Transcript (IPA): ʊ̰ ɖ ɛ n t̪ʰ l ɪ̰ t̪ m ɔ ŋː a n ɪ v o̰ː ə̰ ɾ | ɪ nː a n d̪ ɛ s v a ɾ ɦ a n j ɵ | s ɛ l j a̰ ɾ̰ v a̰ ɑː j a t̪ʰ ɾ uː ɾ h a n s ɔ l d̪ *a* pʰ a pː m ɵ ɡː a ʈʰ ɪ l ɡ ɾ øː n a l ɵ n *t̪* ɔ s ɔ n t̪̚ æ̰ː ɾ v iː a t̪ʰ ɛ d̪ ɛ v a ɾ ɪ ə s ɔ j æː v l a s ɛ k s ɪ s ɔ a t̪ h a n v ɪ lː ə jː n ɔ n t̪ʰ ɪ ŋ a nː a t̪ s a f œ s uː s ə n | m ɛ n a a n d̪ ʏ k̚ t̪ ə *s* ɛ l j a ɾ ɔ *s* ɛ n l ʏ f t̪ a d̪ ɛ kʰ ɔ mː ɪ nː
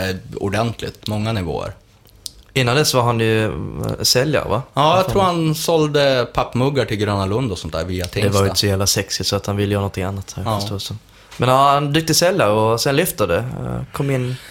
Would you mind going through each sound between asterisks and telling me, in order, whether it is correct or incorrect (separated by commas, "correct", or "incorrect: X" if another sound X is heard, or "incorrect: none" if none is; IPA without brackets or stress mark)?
incorrect: ə, incorrect: d̪, correct, correct